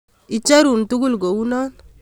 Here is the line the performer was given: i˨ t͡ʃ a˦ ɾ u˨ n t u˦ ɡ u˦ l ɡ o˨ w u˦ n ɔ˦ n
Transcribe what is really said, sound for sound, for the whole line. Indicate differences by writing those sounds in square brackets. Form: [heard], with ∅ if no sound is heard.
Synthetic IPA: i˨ t͡ʃ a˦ ɾ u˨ n t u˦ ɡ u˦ l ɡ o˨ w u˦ n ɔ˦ n